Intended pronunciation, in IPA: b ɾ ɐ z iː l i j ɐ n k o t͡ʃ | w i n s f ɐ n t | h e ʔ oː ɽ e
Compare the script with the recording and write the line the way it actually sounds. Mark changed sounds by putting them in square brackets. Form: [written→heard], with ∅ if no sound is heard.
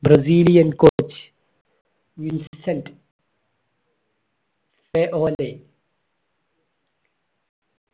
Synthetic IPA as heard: b ɾ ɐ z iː l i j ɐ n k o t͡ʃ | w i n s [f→s] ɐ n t | [h→f] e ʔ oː [ɽ→l] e